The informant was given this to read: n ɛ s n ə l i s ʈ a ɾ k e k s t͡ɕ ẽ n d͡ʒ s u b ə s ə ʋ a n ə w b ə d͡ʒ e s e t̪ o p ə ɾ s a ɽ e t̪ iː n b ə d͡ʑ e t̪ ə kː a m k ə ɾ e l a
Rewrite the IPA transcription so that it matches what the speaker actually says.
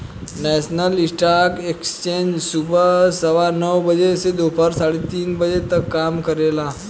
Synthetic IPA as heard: n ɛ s n ə l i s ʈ a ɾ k e k s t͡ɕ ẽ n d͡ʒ s u b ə s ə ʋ a n ə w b ə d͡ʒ e s e d̪ o p ə ɾ s a ɽ e t̪ iː n b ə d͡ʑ e t̪ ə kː a m k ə ɾ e l a

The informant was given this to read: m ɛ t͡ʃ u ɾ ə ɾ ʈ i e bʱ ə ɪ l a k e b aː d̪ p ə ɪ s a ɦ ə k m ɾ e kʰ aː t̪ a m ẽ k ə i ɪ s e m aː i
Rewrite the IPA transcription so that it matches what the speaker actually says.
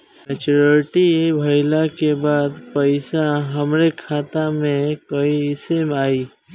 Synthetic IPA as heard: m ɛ t͡ʃ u ɾ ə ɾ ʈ i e bʱ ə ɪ l a k e b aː d̪ p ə ɪ s a ɦ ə m ɾ e kʰ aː t̪ a m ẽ k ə i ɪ s e m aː i

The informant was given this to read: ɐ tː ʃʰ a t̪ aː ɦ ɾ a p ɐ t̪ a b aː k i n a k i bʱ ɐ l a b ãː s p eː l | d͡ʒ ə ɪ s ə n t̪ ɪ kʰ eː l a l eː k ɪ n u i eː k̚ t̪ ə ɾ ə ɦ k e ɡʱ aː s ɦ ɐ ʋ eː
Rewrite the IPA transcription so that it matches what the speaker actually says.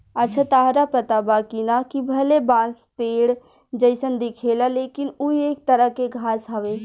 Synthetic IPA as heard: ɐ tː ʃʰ a t̪ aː ɦ ɾ a p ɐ t̪ a b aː k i n a k i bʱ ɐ l e b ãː s p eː ɽ | d͡ʒ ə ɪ s ə n d̪ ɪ kʰ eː l a l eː k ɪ n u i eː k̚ t̪ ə ɾ ə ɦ k e ɡʱ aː s ɦ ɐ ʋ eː

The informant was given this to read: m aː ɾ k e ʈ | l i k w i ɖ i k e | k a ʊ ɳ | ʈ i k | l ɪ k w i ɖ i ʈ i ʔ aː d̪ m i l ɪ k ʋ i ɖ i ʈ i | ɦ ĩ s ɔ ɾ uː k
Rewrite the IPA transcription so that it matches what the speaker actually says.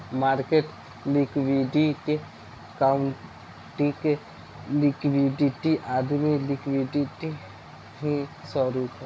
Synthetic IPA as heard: m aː ɾ k e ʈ | l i k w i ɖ i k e | k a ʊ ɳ | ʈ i k | l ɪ k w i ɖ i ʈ i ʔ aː d̪ m i l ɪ k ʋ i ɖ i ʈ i | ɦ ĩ s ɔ ɾ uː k

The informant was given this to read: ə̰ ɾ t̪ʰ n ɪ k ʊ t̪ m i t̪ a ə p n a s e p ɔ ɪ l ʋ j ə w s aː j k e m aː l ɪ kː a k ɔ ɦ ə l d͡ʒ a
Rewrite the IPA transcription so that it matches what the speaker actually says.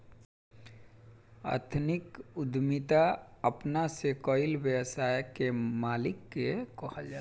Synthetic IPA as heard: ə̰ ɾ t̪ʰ n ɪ k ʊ d̪ m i t̪ a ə p n a s e k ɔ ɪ l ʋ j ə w s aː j k e m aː l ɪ kː e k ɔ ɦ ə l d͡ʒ a

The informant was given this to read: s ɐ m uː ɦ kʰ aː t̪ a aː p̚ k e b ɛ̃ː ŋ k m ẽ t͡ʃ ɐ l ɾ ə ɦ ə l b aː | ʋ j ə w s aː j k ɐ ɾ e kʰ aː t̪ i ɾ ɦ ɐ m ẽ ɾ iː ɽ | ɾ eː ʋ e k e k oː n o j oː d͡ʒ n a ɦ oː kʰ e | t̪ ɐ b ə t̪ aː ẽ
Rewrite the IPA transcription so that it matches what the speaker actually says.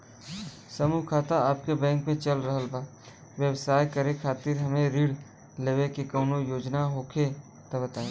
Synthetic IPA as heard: s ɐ m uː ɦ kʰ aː t̪ a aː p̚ k e b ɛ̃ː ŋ k m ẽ t͡ʃ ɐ l ɾ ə ɦ ə l b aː | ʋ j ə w s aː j k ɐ ɾ e kʰ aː t̪ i ɾ ɦ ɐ m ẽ ɾ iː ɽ | l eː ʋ e k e k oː n o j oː d͡ʒ n a ɦ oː kʰ e | t̪ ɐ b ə t̪ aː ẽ

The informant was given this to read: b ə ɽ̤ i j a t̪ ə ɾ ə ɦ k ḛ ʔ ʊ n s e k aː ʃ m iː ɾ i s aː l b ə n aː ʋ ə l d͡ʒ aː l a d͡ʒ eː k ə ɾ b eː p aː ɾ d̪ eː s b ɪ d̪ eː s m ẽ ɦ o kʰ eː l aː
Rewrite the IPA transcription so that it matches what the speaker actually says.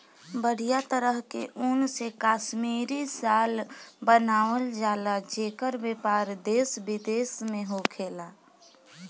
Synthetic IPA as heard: b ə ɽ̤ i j a t̪ ə ɾ ə ɦ k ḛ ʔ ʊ n s e k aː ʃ m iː ɾ i s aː l b ə n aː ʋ ə l d͡ʒ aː l a d͡ʒ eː k ə ɾ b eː p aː ɾ d̪ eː s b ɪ d̪ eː s m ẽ ɦ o kʰ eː l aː

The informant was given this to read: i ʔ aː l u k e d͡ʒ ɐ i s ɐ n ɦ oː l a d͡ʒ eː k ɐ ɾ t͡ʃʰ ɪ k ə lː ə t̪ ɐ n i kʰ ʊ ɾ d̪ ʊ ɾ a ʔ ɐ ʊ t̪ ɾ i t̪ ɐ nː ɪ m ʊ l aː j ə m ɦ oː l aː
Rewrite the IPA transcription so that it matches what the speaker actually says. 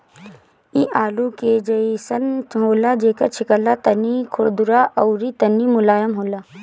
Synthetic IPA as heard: i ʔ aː l u k e d͡ʒ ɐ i s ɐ n ɦ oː l a d͡ʒ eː k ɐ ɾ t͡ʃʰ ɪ k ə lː a t̪ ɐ n i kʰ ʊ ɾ d̪ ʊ ɾ a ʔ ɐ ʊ ɾ i t̪ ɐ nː i m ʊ l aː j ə m ɦ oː l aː

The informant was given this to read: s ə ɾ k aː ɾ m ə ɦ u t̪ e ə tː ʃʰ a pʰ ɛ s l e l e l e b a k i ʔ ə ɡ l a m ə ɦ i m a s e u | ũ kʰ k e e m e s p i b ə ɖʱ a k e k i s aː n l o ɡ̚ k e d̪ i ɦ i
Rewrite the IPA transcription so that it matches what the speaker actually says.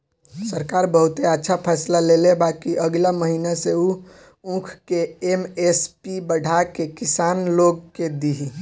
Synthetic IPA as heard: s ə ɾ k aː ɾ b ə ɦ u t̪ e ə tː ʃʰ a pʰ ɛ s l a l e l e b a k i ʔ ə ɡ l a m ə ɦ i n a s e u | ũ kʰ k e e m e s p i b ə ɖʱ a k e k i s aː n l o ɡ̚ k e d̪ i ɦ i

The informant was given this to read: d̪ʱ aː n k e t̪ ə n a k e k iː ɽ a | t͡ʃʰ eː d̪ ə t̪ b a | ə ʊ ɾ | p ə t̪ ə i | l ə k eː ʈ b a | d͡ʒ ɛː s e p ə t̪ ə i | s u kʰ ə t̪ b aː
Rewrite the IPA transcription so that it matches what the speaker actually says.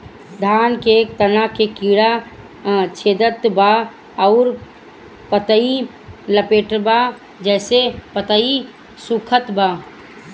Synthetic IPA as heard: d̪ʱ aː n k e t̪ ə n a k e k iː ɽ a | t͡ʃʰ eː d̪ ə t̪ b a | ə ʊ ɾ | p ə t̪ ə i | l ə p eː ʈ b a | d͡ʒ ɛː s e p ə t̪ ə i | s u kʰ ə t̪ b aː

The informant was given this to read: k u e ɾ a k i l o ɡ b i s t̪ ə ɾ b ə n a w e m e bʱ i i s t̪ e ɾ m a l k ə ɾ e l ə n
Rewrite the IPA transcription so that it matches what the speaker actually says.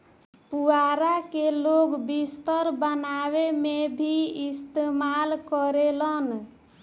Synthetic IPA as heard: p u a ɾ a k e l o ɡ b i s t̪ ə ɾ b ə n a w e m e bʱ i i s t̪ e m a l k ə ɾ e l ə n

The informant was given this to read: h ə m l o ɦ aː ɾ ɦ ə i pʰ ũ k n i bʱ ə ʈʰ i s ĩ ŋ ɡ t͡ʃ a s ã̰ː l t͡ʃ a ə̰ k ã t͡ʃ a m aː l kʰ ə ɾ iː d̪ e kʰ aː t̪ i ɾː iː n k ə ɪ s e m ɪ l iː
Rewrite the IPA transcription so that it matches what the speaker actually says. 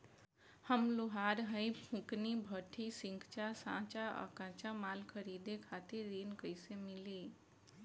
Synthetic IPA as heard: h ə m l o ɦ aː ɾ ɦ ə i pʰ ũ k n i bʱ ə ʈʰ i s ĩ ŋ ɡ t͡ʃ a s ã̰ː t͡ʃ a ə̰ k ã t͡ʃ a m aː l kʰ ə ɾ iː d̪ e kʰ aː t̪ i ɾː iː n k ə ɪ s e m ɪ l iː

